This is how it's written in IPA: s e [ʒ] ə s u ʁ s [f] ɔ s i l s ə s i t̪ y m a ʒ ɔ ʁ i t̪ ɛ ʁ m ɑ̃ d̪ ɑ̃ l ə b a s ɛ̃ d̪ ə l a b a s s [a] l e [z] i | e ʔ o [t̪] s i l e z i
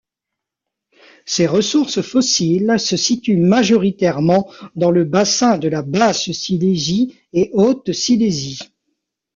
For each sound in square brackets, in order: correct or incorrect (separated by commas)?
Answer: incorrect, correct, incorrect, correct, correct